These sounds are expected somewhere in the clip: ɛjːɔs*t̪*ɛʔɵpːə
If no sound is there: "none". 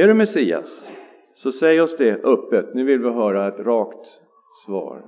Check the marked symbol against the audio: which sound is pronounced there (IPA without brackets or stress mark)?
d̪